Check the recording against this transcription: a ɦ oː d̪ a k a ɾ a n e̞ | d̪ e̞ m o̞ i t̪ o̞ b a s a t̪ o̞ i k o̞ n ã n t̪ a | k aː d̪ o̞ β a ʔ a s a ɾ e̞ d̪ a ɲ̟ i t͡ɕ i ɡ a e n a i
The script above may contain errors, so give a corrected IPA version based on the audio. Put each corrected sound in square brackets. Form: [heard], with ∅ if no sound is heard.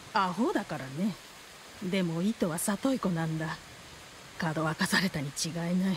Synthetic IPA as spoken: a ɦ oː d̪ a k a ɾ a n e̞ | d̪ e̞ m o̞ i t̪ o̞ [β] a s a t̪ o̞ i k o̞ n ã n [d̪] a | k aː d̪ o̞ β a [k] a s a ɾ e̞ [t̪] a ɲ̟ i t͡ɕ i ɡ a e n a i